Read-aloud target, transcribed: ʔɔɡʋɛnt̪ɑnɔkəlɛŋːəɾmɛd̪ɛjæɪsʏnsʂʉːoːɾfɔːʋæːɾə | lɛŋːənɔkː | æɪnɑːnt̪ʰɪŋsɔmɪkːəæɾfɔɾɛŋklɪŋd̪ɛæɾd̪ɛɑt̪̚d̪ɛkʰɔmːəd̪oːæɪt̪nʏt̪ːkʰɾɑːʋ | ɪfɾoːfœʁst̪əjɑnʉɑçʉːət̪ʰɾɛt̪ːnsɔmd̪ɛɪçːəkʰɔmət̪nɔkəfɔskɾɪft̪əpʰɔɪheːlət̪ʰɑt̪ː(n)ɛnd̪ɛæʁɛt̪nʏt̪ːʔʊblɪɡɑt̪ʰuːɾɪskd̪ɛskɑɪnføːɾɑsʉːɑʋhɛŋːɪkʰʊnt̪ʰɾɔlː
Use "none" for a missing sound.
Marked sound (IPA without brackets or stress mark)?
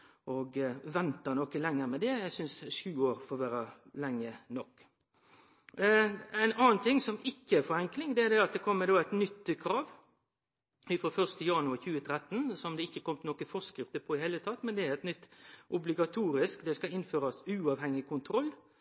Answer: m